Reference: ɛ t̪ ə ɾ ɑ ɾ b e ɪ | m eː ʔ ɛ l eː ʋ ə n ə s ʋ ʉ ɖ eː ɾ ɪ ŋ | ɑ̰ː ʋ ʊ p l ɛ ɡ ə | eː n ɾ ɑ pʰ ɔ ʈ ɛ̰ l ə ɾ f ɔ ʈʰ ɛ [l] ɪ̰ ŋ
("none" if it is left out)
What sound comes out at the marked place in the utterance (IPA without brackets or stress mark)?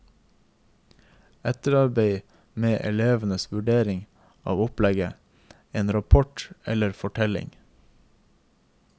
l